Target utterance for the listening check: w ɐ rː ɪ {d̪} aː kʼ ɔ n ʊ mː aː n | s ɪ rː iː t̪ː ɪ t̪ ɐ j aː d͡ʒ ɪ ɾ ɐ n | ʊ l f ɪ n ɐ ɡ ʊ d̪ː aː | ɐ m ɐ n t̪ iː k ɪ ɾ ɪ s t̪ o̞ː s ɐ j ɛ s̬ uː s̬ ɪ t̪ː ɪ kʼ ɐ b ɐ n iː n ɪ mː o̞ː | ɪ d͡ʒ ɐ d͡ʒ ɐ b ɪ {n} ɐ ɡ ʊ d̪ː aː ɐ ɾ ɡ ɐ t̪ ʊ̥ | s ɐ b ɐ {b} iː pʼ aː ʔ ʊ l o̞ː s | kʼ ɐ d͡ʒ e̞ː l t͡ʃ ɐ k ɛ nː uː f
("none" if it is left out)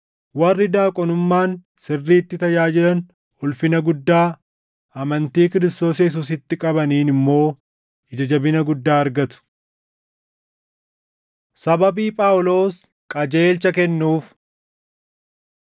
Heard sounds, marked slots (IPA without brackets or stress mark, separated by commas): d̪, n, b